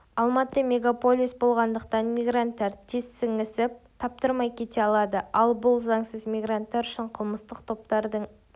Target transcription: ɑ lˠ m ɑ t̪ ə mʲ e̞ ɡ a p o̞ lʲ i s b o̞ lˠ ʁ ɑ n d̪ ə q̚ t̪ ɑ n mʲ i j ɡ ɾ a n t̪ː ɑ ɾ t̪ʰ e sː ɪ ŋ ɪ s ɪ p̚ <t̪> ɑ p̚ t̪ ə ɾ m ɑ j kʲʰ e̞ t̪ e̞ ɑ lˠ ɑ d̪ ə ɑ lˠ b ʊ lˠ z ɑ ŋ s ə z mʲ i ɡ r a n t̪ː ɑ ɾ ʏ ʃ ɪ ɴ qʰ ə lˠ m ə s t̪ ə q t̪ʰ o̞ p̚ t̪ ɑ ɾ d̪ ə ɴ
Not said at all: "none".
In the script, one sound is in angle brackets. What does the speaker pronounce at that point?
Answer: t̪ʰ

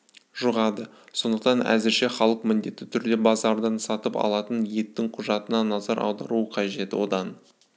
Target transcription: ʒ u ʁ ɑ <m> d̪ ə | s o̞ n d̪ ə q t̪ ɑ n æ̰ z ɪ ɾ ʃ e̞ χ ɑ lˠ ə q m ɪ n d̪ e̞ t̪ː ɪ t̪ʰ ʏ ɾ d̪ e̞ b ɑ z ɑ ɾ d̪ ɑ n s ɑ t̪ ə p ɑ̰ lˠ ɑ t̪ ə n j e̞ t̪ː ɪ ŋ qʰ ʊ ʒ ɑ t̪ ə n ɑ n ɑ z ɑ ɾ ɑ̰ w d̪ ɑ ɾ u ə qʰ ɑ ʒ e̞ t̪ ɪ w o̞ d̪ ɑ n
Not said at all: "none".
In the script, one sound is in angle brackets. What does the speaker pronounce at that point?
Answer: none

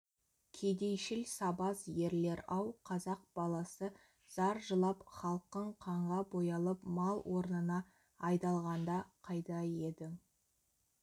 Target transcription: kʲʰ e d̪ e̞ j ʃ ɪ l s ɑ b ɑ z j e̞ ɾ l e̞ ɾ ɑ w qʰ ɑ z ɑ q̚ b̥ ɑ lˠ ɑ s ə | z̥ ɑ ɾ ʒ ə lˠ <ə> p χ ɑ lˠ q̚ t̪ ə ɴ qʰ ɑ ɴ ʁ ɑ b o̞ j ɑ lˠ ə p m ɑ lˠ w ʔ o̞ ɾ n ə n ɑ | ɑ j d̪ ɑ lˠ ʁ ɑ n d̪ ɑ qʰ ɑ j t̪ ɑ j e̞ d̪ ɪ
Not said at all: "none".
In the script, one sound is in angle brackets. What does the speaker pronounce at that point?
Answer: ɑ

